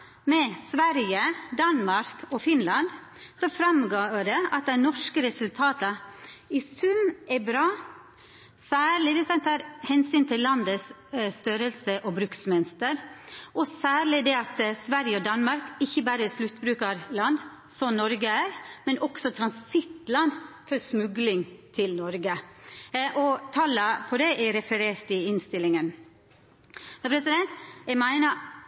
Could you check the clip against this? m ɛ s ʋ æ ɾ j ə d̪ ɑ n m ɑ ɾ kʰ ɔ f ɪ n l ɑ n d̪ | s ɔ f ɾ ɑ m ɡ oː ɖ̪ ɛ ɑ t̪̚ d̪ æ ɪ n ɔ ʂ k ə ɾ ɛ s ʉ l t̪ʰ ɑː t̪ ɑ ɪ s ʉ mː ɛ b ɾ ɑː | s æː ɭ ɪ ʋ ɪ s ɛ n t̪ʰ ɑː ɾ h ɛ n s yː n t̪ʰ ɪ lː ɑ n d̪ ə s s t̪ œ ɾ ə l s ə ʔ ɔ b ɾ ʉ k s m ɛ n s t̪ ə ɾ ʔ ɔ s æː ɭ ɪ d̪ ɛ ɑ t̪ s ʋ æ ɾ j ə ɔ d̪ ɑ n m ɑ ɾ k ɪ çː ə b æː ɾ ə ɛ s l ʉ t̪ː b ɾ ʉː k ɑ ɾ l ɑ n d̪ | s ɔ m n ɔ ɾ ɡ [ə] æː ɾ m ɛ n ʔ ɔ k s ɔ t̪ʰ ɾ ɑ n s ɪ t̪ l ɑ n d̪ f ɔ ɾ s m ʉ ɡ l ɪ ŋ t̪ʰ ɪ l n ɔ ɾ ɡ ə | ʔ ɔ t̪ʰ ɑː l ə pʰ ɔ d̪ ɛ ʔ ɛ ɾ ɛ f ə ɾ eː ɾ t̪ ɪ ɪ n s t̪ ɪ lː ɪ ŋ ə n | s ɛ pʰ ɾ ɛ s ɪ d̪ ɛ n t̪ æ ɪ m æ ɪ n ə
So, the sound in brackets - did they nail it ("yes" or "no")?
yes